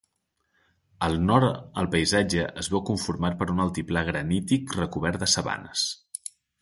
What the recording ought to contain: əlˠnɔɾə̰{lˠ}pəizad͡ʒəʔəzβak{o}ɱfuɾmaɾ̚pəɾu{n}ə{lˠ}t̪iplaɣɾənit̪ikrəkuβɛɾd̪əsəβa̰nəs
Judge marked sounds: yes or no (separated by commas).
yes, no, yes, yes